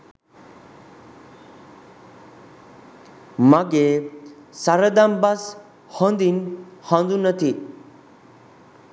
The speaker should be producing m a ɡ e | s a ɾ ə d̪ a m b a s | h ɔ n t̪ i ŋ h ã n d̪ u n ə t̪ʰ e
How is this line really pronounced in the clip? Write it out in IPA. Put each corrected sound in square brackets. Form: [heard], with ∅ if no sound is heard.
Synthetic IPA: m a ɡ e | s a ɾ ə d̪ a m b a s | h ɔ n [d̪] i [n] h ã n d̪ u n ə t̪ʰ [i]